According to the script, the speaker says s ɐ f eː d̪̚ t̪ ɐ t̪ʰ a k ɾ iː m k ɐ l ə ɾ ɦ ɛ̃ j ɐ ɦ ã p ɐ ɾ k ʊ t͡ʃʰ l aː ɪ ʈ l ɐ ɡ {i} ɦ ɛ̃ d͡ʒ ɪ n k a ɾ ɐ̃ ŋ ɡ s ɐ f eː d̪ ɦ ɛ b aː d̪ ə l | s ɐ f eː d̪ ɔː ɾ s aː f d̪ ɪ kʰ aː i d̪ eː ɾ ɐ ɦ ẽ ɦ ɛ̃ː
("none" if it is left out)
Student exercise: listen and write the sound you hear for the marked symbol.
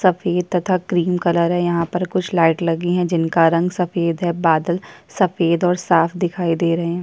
i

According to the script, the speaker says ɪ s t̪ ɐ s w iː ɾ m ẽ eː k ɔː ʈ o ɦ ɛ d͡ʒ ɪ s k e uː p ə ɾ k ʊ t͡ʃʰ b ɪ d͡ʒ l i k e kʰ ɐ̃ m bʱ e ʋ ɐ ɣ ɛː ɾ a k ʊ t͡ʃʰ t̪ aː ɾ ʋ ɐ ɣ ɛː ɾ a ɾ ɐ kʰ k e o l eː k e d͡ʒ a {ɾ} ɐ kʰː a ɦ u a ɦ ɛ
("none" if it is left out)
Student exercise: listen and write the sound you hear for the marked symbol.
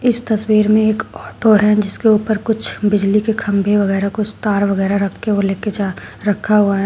ɾ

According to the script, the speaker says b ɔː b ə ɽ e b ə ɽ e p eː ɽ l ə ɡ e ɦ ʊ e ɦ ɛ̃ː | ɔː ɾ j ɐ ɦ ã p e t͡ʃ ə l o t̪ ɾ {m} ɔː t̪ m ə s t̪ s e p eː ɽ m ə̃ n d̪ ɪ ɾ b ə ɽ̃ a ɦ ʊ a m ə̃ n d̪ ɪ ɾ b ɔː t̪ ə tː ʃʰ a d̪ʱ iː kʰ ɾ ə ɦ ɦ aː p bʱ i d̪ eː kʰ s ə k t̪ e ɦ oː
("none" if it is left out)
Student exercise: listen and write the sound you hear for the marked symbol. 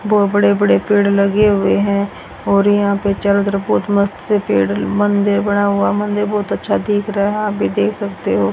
b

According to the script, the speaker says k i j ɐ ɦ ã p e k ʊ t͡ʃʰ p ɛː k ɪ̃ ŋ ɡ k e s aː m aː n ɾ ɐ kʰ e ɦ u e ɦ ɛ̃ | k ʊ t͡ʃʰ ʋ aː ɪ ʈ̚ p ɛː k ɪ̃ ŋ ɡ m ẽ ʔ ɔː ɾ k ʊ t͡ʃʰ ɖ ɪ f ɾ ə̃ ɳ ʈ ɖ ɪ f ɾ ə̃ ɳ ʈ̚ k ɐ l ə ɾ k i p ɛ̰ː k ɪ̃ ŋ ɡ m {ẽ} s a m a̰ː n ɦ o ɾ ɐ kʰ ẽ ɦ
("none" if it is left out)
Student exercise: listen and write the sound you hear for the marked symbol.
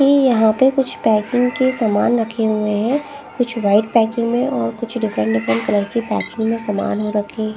ẽ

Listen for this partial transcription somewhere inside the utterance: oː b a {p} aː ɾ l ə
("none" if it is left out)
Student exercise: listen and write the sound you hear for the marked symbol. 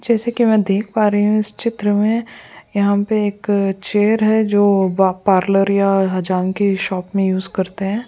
p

